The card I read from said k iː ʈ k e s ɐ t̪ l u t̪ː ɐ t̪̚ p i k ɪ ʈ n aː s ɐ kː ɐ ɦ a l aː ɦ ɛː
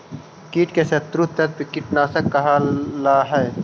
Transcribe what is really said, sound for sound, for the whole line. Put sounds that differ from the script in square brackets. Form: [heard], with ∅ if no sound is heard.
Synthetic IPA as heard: k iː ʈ k e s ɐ t̪ [ɾ] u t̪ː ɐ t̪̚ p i k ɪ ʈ n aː s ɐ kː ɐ ɦ a l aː ɦ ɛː